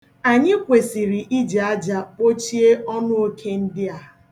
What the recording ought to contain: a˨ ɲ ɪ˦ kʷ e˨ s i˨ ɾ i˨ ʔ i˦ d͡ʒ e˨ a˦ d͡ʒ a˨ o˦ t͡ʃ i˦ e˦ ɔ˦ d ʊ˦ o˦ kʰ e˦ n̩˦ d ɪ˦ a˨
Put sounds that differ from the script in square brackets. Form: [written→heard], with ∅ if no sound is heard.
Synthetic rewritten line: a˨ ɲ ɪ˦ kʷ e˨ s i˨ ɾ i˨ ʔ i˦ d͡ʒ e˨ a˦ d͡ʒ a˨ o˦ t͡ʃ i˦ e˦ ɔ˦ [d→n] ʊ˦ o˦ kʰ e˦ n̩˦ d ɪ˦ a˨